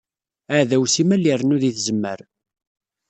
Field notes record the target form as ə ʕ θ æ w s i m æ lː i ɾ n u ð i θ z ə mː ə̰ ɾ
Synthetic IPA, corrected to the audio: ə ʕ ð æ w s i m æ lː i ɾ n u ð i θ z ə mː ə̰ ɾ